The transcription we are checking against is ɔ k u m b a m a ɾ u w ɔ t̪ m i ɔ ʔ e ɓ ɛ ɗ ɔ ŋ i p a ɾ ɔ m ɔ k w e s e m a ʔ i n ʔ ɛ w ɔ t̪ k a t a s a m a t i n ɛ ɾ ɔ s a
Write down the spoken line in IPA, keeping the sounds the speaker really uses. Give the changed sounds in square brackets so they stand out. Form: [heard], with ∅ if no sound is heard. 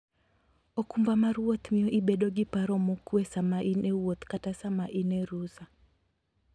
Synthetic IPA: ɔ k u m b a m a ɾ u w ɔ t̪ m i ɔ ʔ [i] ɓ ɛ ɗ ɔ [ɡ] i p a ɾ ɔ m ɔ k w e s [a] m a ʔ i n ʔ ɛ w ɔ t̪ k a t a s a m a [ʔ] i n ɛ ɾ [u] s a

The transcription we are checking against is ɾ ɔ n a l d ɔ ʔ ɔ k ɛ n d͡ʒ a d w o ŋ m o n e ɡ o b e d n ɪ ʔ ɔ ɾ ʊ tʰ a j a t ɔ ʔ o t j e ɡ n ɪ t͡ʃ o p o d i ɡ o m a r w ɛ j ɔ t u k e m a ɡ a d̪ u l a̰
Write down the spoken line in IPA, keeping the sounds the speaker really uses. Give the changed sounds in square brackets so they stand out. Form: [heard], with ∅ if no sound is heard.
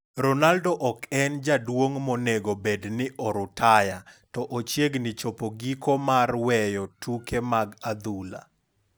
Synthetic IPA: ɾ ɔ n a l d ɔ ʔ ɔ k ɛ n d͡ʒ a d w o ŋ m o n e ɡ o b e d n ɪ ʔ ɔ ɾ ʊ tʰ a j a t ɔ ʔ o [t͡ʃ] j e ɡ n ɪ t͡ʃ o p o [ɡ] i [k] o m a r w ɛ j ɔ t u k e m a ɡ a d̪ u l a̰

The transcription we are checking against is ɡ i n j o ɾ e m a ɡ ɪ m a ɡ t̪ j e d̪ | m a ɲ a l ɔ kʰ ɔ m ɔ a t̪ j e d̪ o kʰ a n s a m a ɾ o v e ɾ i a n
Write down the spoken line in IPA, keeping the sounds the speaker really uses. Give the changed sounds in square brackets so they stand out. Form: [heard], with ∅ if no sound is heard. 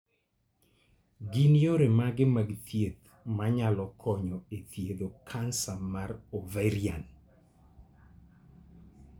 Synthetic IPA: ɡ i n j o ɾ e m a ɡ ɪ m a ɡ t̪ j e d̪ | m a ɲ a l ɔ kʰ ɔ [ɲ] ɔ [e] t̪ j e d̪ o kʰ a n s a m a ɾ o v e ɾ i a n

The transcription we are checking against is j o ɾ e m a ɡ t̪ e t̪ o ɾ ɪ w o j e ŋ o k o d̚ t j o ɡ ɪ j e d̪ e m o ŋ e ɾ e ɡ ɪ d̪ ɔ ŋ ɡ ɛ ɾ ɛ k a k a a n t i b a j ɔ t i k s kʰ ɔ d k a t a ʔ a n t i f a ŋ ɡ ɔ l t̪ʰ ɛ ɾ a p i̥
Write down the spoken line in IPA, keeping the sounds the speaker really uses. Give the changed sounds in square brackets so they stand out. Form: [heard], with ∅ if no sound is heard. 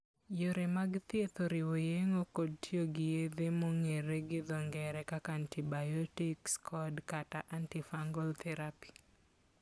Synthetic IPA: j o ɾ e m a ɡ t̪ e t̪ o ɾ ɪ w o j e ŋ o k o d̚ t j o ɡ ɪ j e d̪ e m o ŋ e ɾ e ɡ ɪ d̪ ɔ ŋ ɡ ɛ ɾ ɛ k a k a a n t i b a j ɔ t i k s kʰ ɔ d k a t a ʔ a n t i f a ŋ ɡ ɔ l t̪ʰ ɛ ɾ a p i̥

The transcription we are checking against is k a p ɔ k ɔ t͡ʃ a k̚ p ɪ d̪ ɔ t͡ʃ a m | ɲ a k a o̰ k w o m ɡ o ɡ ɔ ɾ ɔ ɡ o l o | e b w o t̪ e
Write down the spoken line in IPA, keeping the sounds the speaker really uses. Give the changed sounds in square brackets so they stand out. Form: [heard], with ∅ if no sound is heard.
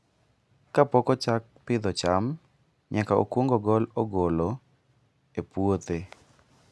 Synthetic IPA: k a p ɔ k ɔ t͡ʃ a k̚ p ɪ d̪ ɔ t͡ʃ a m | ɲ a k a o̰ k w o [ŋ] ɡ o ɡ ɔ [l] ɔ ɡ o l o | e [p] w o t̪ e

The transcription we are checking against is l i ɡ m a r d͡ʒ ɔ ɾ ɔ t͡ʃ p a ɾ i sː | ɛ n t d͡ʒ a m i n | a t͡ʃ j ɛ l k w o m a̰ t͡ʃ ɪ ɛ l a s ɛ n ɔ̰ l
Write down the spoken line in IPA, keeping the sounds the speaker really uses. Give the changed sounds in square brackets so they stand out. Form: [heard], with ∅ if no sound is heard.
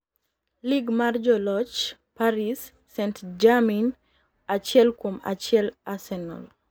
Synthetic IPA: l i ɡ m a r d͡ʒ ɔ [l] ɔ t͡ʃ p a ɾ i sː | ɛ n t d͡ʒ a m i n | a t͡ʃ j ɛ l k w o m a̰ t͡ʃ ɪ ɛ l a s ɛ n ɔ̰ l

